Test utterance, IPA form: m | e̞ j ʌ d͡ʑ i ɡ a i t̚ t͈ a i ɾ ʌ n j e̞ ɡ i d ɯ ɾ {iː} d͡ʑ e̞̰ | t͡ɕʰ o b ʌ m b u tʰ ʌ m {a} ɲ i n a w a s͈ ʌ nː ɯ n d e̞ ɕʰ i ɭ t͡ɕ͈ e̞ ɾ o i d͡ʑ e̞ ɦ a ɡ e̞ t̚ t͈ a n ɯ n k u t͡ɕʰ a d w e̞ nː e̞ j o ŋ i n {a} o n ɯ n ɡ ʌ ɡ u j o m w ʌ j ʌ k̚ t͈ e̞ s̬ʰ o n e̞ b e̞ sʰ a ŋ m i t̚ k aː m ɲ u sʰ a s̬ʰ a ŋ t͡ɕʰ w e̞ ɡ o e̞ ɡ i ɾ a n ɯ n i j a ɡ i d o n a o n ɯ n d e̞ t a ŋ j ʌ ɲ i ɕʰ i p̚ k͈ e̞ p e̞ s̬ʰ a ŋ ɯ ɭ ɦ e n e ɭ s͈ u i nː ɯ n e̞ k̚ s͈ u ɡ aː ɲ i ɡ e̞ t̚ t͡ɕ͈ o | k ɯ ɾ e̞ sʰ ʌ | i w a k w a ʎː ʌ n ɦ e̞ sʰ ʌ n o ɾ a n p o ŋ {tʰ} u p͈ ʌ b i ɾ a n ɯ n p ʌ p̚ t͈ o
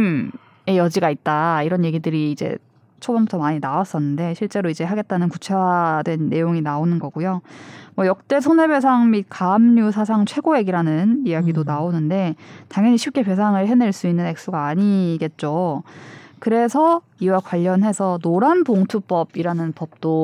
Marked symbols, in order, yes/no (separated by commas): yes, yes, yes, yes